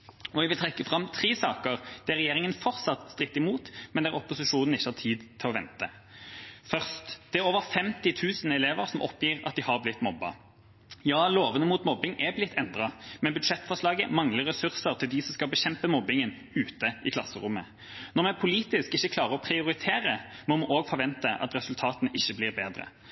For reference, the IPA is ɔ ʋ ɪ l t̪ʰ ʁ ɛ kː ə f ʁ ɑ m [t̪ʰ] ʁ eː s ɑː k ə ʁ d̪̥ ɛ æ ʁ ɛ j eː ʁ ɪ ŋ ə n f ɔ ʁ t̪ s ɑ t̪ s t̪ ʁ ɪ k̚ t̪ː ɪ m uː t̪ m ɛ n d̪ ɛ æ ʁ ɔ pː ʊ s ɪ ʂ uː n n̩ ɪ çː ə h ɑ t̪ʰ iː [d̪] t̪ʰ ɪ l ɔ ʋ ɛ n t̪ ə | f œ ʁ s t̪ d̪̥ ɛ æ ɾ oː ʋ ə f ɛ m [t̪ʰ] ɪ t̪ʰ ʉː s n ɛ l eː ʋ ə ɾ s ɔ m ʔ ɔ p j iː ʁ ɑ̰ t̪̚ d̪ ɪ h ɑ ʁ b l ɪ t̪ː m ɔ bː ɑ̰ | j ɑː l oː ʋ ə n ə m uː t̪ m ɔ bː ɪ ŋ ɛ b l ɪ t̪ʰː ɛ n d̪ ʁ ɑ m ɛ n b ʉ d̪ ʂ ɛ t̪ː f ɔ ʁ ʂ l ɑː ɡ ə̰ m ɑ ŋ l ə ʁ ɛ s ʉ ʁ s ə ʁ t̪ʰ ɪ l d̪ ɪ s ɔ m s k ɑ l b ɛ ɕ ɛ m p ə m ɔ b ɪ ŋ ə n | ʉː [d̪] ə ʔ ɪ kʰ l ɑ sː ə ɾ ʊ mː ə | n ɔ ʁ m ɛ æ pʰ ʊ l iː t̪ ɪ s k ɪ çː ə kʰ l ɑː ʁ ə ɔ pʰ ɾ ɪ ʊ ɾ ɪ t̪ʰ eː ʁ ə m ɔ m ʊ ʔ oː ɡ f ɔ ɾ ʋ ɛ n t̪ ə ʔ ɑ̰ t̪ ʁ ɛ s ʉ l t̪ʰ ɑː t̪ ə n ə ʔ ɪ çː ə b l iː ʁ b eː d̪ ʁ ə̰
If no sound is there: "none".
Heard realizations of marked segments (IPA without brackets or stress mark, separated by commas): t̪ʰ, d̪, t̪, t̪